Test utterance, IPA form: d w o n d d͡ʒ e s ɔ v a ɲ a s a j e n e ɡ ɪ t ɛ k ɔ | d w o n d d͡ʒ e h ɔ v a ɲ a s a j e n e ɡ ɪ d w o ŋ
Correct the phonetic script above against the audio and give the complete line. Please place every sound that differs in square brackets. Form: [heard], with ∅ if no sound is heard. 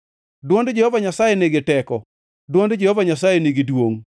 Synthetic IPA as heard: d w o n d d͡ʒ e [h] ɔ v a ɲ a s a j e n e ɡ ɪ t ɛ k ɔ | d w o n d d͡ʒ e h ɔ v a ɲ a s a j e n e ɡ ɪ d w o ŋ